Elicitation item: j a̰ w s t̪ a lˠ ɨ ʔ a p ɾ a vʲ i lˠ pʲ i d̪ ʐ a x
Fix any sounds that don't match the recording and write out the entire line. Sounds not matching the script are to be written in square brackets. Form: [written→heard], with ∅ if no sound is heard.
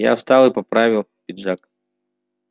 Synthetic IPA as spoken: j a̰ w s t̪ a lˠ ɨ [ʔ→p] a p ɾ a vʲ i lˠ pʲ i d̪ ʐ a [x→k]